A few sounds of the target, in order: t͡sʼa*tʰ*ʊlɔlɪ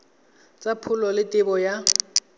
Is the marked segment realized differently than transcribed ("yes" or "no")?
yes